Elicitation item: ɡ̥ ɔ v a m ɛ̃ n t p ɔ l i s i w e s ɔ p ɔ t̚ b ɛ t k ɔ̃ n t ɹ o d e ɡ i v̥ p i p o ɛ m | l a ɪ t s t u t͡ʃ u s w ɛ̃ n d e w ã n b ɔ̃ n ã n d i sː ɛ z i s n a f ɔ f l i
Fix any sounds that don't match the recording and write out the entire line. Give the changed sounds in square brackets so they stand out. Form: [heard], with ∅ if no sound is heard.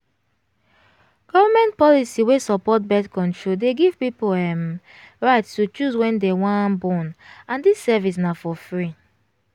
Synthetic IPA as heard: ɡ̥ ɔ v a m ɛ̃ n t p ɔ l i s i w e s ɔ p ɔ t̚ b ɛ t k ɔ̃ n t ɹ o d e ɡ i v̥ p i p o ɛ m | [ɹ] a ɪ t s t u t͡ʃ u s w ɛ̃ n d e w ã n b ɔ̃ n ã n d i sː ɛ [v] i s n a f ɔ f [ɹ] i